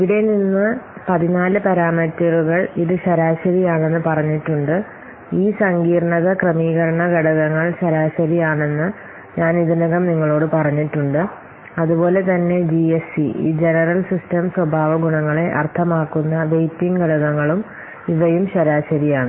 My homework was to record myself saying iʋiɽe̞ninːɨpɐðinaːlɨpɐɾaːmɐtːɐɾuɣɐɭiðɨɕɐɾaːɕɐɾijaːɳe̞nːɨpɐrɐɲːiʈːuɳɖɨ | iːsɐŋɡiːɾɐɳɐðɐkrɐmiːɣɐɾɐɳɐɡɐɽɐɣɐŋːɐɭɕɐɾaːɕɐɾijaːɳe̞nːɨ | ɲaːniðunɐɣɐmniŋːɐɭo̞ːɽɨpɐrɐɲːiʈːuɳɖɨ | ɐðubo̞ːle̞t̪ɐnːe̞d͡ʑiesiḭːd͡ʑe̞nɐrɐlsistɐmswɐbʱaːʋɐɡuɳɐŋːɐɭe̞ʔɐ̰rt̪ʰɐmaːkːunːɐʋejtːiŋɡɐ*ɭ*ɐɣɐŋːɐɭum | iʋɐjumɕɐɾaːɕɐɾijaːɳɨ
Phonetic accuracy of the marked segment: incorrect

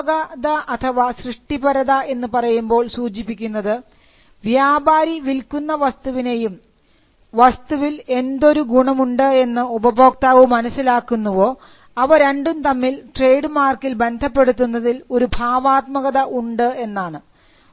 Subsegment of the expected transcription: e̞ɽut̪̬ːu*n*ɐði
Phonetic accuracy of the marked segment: incorrect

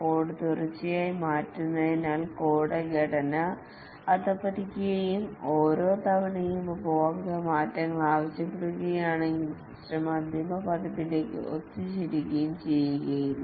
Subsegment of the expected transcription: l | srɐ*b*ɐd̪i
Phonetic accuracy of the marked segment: incorrect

